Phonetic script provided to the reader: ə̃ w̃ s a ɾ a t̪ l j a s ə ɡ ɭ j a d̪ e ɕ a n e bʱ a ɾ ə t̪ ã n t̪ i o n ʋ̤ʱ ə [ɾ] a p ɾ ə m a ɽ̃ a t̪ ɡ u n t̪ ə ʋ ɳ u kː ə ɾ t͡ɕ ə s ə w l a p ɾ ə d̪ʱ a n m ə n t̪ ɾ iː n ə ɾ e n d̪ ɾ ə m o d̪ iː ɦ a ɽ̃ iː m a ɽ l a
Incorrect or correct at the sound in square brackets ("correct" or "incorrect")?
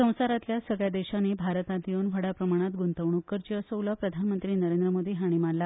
incorrect